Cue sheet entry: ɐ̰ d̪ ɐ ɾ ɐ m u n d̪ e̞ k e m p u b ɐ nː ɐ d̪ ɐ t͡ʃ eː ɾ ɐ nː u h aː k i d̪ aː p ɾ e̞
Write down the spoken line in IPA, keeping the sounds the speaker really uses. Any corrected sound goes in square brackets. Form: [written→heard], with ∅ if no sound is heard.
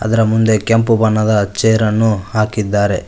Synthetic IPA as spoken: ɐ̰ d̪ ɐ ɾ ɐ m u n d̪ e̞ k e m p u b ɐ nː ɐ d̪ ɐ t͡ʃ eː ɾ ɐ nː u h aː k i [d̪→d̪ː] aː [p→∅] ɾ e̞